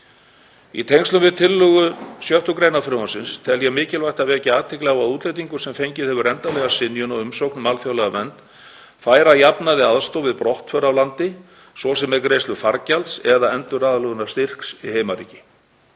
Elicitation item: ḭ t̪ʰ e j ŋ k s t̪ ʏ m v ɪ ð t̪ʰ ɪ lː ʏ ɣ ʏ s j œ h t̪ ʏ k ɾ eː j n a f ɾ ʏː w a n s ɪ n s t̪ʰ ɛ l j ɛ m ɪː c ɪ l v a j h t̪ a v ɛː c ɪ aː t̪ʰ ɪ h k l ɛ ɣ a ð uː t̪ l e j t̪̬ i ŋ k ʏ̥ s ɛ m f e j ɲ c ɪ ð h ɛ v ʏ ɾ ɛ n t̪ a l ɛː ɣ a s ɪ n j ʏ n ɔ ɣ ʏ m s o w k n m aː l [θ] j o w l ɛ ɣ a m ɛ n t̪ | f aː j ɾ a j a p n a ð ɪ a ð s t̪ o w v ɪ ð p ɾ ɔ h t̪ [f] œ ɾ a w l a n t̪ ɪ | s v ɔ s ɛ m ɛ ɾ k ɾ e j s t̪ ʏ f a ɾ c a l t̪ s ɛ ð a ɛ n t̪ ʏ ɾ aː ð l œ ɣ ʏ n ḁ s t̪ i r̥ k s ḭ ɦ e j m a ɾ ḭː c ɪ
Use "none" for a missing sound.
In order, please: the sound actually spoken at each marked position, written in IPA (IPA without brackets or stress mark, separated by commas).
f, f